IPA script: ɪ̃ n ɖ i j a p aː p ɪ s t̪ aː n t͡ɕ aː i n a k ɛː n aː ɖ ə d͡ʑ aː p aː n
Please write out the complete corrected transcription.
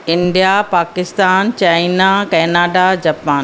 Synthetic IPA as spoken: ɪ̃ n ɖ i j a p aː k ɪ s t̪ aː n t͡ɕ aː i n a k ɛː n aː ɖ a d͡ʑ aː p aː n